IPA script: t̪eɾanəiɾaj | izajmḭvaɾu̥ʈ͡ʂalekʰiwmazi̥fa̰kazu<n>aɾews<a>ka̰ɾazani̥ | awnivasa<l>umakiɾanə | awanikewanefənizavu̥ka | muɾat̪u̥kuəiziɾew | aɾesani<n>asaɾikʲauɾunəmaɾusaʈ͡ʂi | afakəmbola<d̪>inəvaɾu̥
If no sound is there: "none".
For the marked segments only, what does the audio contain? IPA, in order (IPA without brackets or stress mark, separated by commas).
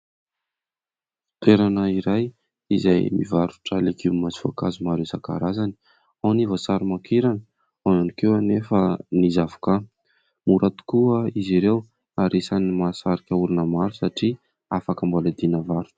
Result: m, a, ɾ, m, d̪